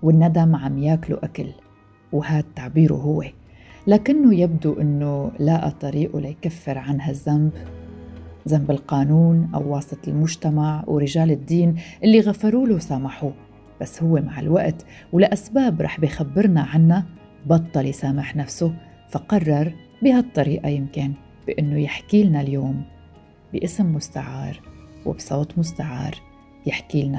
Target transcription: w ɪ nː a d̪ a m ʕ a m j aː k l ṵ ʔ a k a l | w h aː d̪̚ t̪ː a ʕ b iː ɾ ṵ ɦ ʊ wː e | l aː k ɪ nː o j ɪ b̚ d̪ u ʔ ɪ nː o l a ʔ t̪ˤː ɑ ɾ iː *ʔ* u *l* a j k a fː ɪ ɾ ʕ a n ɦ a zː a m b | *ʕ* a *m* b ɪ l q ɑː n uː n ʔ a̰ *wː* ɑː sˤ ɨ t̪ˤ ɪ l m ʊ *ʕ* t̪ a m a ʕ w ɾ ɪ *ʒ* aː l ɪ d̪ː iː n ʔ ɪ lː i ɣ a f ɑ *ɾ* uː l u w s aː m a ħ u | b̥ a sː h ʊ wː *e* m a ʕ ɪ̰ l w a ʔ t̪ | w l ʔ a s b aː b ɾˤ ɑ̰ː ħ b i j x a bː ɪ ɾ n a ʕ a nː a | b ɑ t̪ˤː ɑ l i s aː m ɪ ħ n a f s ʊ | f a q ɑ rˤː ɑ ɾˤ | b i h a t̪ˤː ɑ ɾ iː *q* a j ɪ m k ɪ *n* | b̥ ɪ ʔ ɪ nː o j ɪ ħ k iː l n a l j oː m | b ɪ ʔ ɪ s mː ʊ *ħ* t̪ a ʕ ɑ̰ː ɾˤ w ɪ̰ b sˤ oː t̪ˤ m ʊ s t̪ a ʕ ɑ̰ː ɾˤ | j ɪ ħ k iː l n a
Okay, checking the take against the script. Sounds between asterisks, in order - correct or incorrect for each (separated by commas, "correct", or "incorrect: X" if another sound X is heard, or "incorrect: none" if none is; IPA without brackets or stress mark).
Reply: correct, correct, incorrect: z, correct, correct, incorrect: ʒ, correct, correct, correct, incorrect: ʔ, correct, incorrect: s